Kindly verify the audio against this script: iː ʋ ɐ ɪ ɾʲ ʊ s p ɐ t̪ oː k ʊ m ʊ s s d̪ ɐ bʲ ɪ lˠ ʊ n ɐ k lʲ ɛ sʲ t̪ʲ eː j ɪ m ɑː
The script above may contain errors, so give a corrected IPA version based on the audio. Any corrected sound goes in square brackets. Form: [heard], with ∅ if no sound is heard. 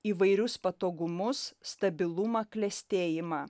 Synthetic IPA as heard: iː ʋ ɐ ɪ ɾʲ ʊ s p ɐ t̪ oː [ɡ] ʊ m ʊ s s [t̪] ɐ bʲ ɪ lˠ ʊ [m] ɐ k lʲ ɛ sʲ t̪ʲ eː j ɪ m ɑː